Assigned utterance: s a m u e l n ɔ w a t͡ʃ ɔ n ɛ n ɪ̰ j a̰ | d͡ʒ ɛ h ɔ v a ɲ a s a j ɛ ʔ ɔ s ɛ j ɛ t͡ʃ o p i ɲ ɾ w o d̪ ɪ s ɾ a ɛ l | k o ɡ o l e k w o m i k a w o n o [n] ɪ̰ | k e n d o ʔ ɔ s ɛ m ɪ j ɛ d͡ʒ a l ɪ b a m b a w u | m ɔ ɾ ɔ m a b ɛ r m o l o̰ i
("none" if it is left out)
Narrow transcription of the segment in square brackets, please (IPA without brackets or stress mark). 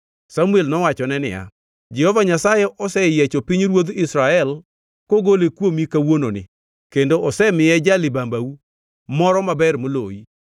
n